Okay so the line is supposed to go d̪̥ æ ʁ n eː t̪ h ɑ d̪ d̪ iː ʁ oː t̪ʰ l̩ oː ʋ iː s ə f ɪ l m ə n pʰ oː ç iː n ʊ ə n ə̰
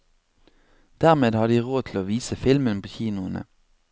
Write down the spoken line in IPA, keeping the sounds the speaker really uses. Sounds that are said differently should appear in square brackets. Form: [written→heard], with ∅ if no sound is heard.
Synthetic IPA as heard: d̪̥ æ ʁ [n→m] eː [t̪→d̪] h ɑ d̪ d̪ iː ʁ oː t̪ʰ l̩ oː ʋ iː s ə f ɪ l m ə n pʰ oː ç iː n ʊ ə n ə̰